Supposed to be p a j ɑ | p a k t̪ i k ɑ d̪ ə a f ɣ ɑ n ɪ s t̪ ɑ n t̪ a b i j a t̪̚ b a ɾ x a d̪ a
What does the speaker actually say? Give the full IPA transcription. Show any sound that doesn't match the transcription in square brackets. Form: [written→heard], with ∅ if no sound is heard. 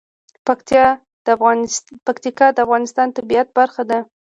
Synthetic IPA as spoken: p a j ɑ | p a k t̪ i k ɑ d̪ ə a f ɣ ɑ n ɪ s t̪ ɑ n t̪ a b i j a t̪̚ b a ɾ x a d̪ a